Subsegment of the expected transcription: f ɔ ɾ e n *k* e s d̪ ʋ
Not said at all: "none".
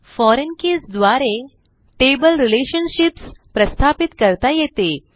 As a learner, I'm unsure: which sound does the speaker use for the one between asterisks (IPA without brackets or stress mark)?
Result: k